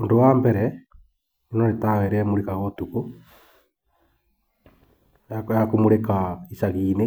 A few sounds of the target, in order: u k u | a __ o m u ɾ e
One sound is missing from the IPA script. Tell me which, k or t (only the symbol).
k